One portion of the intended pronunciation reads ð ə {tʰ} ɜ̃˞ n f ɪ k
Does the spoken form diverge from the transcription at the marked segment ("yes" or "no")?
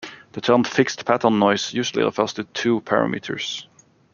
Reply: no